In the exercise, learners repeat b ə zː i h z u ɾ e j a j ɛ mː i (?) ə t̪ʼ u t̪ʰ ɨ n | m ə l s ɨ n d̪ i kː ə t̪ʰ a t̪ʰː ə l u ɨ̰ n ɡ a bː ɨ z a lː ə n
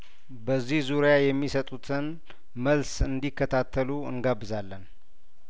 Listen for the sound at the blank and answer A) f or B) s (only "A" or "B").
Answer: B